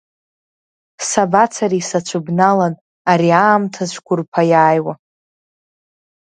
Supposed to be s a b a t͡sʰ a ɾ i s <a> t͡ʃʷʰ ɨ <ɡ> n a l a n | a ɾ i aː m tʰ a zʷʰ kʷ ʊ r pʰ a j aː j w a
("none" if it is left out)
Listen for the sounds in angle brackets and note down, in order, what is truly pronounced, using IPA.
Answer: a, b

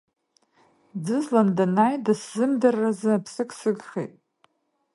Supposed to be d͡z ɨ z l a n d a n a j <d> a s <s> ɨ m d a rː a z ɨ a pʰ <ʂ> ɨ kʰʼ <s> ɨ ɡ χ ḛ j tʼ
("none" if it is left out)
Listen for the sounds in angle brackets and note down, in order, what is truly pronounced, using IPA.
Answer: d, z, s, s

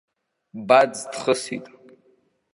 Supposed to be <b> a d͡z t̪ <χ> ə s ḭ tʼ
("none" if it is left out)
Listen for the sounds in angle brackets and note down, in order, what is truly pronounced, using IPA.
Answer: b, χ

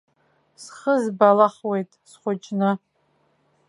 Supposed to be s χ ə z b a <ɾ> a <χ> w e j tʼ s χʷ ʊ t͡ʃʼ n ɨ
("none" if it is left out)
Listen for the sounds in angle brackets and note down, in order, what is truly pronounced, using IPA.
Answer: l, χ

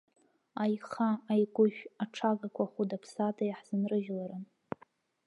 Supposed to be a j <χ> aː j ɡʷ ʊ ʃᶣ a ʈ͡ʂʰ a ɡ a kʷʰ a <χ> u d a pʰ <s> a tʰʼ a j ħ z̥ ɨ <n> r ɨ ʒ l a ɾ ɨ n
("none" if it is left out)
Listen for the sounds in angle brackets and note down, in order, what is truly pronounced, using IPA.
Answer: χ, χ, s, n

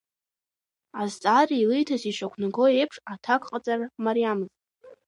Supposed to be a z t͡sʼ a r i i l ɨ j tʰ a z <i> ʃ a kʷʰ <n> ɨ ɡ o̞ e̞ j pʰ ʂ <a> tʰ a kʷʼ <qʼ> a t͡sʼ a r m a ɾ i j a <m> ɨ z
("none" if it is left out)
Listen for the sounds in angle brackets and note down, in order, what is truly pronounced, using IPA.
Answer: i, n, a, qʼ, m

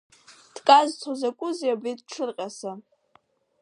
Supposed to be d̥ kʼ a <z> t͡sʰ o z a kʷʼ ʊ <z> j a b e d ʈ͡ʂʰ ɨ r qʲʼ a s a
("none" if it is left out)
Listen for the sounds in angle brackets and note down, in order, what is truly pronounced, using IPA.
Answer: z, z

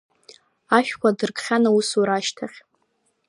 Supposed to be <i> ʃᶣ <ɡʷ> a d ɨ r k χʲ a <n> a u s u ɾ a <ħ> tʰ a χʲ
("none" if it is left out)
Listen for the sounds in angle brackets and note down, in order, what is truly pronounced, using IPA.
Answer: a, kʷ, n, ʃ

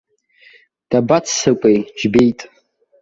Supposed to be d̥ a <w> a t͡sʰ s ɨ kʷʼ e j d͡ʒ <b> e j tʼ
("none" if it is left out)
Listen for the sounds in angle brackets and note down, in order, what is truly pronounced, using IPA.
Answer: b, b

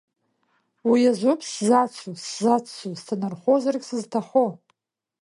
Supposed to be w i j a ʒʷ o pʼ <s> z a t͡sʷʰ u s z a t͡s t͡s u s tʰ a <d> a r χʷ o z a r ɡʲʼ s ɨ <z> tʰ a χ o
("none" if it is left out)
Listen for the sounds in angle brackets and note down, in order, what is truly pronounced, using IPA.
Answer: s, n, z

